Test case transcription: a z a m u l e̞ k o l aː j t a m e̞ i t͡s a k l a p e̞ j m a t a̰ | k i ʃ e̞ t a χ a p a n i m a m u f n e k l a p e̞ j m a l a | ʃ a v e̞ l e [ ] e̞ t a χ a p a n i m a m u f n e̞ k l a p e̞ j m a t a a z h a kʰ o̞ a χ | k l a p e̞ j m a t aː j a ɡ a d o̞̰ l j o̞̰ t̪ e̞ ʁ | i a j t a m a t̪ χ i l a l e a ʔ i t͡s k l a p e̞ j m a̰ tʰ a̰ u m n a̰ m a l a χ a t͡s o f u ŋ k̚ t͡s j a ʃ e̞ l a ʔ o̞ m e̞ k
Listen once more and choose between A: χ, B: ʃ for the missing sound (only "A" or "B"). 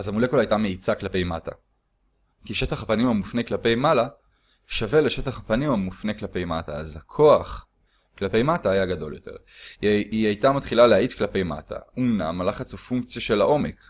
B